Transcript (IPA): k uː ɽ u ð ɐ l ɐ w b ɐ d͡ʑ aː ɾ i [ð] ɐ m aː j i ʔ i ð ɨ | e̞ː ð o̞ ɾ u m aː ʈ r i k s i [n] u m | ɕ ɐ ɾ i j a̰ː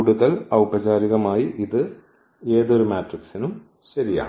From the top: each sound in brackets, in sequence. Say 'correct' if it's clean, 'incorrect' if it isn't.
incorrect, correct

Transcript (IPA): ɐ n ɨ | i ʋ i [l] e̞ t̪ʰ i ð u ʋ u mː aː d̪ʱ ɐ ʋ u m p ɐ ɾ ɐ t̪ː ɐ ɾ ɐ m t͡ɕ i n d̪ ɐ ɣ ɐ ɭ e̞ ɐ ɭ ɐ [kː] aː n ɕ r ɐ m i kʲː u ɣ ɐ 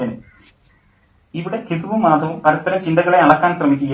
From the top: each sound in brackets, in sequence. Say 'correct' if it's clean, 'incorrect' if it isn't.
incorrect, correct

